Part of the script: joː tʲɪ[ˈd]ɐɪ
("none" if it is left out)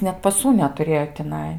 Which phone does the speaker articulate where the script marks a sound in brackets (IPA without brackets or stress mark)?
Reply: n